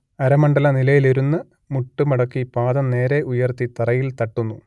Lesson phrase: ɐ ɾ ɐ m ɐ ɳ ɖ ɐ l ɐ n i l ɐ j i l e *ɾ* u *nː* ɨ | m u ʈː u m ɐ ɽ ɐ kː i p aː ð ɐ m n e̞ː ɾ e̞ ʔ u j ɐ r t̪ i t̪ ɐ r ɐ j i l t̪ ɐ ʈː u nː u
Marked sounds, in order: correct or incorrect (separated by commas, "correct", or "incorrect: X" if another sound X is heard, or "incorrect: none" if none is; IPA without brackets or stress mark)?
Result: correct, correct